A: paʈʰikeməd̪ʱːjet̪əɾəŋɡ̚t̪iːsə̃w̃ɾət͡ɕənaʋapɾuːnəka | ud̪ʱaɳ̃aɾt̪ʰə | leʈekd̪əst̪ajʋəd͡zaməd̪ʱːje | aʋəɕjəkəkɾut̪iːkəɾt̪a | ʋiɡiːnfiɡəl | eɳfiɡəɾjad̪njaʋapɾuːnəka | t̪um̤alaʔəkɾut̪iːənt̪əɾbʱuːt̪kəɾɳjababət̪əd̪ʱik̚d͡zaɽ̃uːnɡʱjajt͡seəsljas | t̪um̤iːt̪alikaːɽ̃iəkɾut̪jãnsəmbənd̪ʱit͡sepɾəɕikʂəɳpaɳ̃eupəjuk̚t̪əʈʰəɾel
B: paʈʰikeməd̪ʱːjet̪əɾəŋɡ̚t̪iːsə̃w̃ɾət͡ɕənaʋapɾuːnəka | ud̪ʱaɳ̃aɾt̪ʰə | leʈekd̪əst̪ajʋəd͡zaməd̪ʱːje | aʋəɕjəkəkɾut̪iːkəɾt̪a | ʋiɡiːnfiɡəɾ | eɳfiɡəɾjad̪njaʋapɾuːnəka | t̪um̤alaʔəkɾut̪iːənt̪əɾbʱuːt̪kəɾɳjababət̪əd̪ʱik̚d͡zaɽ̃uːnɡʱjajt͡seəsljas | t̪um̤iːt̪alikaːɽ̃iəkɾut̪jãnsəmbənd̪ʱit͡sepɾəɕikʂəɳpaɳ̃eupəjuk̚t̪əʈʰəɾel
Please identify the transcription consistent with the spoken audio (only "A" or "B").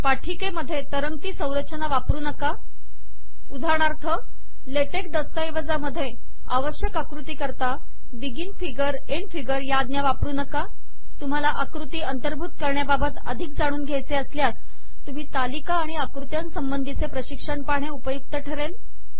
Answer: B